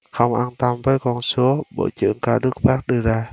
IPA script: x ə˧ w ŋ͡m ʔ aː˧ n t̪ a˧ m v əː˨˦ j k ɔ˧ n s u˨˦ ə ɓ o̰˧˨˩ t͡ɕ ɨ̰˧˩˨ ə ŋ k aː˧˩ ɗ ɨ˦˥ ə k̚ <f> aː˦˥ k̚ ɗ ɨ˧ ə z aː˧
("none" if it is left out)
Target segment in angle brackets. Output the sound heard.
f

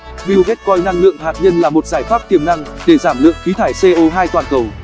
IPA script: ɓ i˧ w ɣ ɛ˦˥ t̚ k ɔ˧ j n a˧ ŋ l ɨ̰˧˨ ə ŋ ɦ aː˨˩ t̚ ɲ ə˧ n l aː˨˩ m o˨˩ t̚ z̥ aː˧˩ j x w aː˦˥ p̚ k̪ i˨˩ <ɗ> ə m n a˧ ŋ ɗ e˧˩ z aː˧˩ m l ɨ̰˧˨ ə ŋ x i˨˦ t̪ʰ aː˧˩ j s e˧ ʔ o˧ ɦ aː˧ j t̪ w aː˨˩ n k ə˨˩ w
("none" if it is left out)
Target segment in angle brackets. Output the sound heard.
none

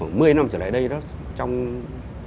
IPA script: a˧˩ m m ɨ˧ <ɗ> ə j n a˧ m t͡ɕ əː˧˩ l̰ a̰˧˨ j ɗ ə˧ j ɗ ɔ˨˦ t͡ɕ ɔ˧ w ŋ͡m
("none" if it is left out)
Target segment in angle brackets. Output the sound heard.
none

